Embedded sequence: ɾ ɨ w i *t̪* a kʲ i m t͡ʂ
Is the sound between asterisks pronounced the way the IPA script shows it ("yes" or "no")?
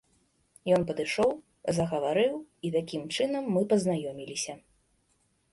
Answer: yes